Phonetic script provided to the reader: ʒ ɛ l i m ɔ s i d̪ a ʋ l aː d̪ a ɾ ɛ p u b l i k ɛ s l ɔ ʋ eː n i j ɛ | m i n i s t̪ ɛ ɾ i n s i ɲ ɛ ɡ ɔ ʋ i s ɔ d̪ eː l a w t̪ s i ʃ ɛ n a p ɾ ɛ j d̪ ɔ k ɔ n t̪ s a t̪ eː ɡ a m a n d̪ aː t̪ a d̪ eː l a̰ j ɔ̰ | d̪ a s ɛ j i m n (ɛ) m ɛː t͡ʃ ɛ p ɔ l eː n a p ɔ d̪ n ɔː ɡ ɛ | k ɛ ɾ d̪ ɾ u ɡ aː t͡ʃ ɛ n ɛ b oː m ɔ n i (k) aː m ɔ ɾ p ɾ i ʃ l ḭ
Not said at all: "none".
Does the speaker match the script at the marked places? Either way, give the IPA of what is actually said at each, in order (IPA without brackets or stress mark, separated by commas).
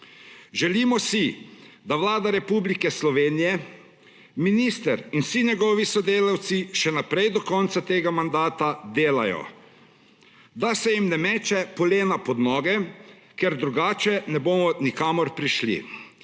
ɛ, k